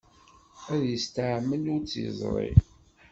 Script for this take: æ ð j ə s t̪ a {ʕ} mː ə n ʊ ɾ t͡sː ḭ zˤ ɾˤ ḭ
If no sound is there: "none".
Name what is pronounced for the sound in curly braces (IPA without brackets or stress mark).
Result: ʕ